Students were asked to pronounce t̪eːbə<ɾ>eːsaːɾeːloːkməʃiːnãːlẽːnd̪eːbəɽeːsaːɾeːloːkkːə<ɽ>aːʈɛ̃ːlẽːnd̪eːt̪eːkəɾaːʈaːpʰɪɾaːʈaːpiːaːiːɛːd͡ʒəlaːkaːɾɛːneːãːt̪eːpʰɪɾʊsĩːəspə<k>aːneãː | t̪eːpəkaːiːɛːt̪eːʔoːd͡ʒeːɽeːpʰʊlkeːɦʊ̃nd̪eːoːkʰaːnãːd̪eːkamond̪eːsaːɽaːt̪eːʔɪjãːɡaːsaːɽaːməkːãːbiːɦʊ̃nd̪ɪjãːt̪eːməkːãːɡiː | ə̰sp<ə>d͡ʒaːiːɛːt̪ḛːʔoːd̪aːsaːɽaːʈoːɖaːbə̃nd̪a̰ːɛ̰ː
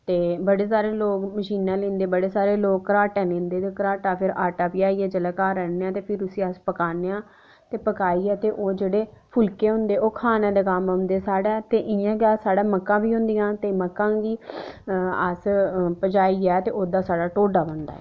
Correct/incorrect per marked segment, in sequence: incorrect: ɽ, incorrect: ɾ, correct, correct

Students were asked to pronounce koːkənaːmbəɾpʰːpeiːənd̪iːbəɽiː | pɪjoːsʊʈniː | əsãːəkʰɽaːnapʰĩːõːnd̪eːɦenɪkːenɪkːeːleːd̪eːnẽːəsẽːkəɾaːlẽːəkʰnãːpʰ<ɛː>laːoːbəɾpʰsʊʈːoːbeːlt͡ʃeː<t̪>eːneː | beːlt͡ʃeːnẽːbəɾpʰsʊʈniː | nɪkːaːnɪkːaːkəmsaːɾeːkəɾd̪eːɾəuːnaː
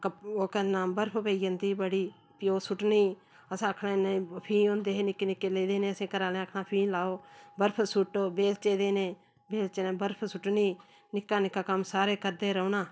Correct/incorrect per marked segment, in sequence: incorrect: iː, incorrect: d̪

